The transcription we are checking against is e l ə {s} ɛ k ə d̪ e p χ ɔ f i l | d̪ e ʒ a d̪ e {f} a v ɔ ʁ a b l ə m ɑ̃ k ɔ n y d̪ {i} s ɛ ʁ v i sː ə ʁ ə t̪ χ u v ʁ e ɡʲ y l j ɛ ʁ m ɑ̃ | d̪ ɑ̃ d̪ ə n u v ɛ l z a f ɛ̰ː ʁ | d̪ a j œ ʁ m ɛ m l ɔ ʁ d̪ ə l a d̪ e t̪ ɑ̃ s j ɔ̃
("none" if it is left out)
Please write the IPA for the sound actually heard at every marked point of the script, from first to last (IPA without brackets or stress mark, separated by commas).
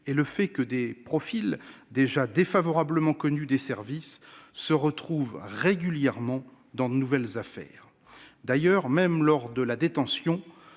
f, f, e